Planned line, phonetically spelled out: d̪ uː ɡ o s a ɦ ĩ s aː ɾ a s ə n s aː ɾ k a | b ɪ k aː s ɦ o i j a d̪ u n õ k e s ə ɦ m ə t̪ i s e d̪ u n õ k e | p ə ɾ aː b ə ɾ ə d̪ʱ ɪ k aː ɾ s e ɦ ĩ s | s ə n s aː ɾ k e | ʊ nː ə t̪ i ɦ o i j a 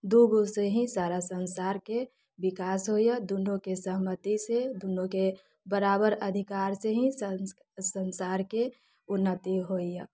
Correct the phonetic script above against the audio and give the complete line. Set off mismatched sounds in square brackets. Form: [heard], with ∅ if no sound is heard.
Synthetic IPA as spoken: d̪ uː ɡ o s [e] ɦ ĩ s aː ɾ a s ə n s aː ɾ k [e] | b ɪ k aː s ɦ o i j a d̪ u n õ k e s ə ɦ m ə t̪ i s e d̪ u n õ k e | [b] ə ɾ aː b ə ɾ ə d̪ʱ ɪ k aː ɾ s e ɦ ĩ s | s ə n s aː ɾ k e | ʊ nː ə t̪ i ɦ o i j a